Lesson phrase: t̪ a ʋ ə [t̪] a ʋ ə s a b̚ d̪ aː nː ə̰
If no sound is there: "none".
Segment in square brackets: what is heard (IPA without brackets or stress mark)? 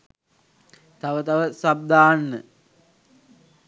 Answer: t̪